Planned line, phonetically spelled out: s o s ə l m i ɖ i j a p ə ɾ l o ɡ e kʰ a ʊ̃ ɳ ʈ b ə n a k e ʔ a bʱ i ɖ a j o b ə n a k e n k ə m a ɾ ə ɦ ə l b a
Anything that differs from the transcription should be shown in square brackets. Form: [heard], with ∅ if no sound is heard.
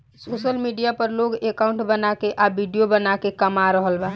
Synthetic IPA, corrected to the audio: s o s ə l m i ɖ i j a p ə ɾ l o ɡ e [k] a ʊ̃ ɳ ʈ b ə n a k e ʔ a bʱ i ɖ [i] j o b ə n a k e [∅] k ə m a ɾ ə ɦ ə l b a